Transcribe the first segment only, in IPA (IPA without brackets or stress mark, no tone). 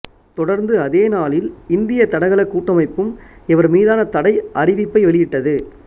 t̪